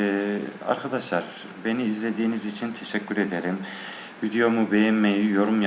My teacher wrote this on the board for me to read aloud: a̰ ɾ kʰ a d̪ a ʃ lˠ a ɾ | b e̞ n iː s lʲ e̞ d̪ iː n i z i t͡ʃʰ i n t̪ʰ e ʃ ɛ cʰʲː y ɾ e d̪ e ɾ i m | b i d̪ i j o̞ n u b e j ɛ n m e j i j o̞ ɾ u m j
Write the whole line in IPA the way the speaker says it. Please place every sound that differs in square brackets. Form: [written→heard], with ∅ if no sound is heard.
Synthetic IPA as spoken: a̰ ɾ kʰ a d̪ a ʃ lˠ a ɾ | b e̞ n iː [s→z] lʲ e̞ d̪ iː n i z i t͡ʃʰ i n t̪ʰ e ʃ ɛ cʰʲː y ɾ e d̪ e ɾ i m | [b→v] i d̪ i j o̞ [n→m] u b e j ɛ n m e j i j o̞ ɾ u m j